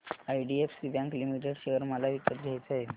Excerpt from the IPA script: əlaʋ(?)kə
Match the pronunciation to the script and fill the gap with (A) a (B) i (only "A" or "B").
B